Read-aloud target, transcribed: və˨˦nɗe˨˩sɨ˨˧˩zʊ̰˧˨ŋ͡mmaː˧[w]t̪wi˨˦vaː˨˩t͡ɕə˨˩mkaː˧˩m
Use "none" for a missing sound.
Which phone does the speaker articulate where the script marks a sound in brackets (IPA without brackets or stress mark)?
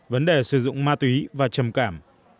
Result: none